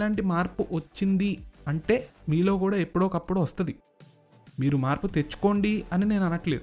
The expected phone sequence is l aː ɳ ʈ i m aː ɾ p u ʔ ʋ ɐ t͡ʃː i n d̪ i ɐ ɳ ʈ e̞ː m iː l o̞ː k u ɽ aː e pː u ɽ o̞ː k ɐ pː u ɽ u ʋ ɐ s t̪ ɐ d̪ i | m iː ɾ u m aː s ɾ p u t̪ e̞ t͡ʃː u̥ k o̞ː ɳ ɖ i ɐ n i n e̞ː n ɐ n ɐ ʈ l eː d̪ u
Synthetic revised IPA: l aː ɳ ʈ i m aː ɾ p u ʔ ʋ ɐ t͡ʃː i n d̪ i ɐ ɳ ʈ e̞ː m iː l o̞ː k uː ɽ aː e pː u ɽ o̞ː k ɐ pː u ɽ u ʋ ɐ s t̪ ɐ d̪ i | m iː ɾ u m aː ɾ p u t̪ e̞ t͡ʃː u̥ k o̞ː ɳ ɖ i ɐ n i n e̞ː n ɐ n ɐ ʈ l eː d̪ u